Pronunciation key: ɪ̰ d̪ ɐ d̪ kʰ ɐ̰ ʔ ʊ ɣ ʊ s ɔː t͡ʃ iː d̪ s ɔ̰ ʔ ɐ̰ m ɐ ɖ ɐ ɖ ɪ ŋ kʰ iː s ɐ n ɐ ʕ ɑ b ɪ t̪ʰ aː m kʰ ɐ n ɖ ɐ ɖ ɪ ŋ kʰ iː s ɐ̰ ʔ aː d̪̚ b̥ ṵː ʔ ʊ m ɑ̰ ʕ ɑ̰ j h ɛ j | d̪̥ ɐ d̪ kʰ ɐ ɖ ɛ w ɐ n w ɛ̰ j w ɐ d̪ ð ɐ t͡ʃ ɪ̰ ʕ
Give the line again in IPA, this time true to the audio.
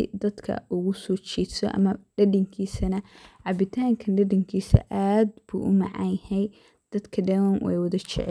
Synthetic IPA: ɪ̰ d̪ ɐ d̪ kʰ ɐ̰ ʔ ʊ ɣ ʊ s ɔː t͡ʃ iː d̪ s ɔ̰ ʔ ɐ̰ m ɐ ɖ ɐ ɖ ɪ ŋ kʰ iː s ɐ n ɐ ʕ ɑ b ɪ t̪ʰ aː ŋ kʰ ɐ n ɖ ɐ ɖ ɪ ŋ kʰ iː s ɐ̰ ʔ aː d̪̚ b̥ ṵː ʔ ʊ m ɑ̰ ʕ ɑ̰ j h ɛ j | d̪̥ ɐ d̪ kʰ ɐ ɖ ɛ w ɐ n w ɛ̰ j w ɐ ð ɐ t͡ʃ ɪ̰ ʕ